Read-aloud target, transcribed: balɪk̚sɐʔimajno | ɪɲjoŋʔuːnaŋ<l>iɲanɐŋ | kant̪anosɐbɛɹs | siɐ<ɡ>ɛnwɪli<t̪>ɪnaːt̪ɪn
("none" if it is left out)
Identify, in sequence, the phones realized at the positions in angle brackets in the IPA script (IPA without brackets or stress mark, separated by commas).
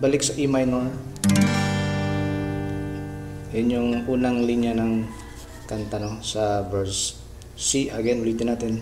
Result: l, ɡ, t̪